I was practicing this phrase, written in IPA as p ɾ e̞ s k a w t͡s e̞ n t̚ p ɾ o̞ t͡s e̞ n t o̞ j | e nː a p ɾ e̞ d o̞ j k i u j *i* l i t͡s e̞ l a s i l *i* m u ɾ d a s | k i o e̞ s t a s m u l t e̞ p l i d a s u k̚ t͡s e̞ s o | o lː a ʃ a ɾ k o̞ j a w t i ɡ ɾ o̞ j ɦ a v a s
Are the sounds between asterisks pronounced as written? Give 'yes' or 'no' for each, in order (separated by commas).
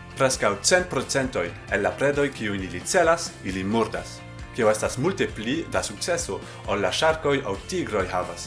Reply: yes, yes